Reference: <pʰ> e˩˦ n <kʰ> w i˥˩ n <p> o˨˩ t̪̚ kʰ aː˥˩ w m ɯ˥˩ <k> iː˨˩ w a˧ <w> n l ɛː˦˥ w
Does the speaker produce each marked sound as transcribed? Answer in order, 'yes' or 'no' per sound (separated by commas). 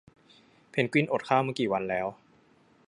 yes, no, no, yes, no